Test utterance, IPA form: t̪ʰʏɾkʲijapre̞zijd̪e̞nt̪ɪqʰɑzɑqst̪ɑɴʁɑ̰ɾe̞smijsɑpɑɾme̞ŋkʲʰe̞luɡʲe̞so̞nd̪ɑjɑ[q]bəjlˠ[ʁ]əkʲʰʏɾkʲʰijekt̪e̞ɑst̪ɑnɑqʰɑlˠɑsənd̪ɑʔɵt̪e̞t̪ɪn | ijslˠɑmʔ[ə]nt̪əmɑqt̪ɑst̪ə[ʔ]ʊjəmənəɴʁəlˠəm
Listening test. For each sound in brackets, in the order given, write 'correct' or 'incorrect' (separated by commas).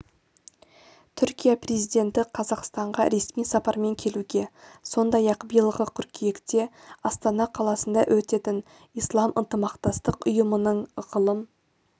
correct, correct, correct, incorrect